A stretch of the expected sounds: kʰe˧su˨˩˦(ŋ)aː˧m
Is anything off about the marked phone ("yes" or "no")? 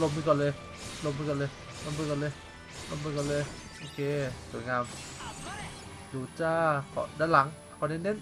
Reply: no